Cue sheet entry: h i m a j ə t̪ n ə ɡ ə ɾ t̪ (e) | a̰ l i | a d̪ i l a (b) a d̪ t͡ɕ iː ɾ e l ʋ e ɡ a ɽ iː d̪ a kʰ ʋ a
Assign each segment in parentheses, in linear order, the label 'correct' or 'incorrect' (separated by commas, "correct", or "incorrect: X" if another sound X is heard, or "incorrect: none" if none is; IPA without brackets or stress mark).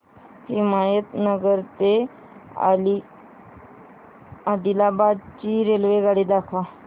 correct, correct